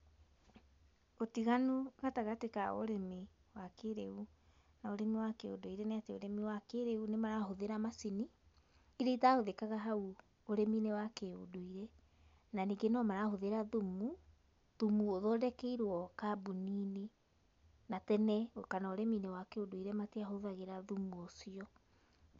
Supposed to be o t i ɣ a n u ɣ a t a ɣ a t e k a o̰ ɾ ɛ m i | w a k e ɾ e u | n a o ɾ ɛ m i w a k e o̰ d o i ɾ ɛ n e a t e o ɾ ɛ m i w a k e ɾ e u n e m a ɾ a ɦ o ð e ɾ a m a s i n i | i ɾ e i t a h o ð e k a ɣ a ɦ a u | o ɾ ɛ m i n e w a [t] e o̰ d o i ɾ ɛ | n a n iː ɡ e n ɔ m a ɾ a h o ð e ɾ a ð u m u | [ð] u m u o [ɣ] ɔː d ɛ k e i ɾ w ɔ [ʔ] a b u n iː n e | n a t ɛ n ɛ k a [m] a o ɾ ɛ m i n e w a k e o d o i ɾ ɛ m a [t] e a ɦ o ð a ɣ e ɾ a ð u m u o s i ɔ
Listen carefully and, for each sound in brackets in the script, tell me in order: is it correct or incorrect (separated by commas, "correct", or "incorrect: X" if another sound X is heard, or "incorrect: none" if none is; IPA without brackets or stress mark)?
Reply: incorrect: k, correct, incorrect: ð, incorrect: k, incorrect: n, correct